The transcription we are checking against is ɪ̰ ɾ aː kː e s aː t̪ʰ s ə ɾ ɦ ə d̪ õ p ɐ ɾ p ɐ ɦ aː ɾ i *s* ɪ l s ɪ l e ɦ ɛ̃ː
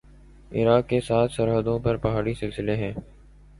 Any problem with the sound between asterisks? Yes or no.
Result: no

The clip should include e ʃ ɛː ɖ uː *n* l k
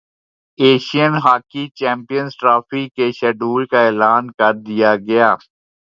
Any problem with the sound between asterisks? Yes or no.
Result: yes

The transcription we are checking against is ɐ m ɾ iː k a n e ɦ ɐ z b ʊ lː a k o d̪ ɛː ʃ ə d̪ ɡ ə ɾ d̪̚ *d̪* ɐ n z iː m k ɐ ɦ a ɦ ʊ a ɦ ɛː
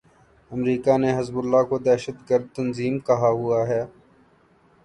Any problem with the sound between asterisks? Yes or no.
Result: yes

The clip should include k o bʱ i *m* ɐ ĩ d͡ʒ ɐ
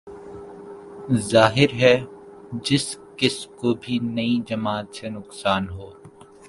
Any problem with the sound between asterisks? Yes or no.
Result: yes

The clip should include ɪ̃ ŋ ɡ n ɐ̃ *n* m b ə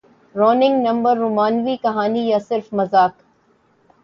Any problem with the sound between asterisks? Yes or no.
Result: yes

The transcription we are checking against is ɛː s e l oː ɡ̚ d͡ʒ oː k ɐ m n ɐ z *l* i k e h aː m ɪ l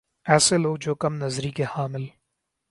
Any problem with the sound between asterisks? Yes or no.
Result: yes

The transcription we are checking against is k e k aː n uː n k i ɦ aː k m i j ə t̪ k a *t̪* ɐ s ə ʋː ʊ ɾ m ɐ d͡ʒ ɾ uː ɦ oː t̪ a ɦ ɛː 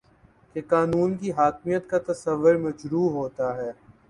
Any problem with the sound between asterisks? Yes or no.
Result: no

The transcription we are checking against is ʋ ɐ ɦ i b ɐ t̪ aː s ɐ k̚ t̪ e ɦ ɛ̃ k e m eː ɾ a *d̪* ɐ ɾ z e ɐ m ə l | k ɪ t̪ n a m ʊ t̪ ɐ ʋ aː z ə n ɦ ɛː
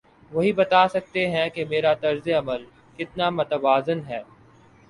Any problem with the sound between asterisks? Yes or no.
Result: yes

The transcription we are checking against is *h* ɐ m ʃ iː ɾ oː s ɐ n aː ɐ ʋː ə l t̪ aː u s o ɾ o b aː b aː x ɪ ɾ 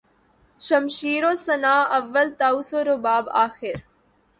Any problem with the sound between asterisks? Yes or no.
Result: yes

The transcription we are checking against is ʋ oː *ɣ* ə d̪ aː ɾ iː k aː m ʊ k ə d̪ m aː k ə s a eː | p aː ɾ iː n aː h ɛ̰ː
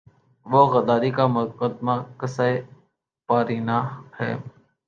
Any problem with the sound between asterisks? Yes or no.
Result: no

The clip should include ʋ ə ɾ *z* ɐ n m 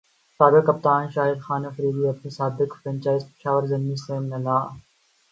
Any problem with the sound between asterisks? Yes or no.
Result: no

